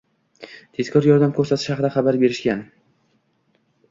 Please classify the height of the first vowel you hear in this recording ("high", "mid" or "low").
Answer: mid